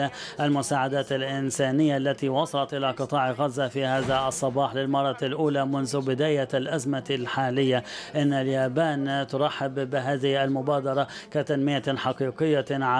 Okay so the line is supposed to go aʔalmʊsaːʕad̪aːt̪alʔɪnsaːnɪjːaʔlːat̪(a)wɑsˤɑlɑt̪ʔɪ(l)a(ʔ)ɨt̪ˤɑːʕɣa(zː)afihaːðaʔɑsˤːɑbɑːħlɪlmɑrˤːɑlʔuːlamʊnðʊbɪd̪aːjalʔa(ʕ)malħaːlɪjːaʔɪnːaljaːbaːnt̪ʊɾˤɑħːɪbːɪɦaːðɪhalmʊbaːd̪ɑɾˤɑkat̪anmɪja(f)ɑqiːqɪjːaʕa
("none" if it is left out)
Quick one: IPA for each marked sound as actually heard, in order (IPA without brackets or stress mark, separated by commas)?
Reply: i, l, q, zː, z, ħ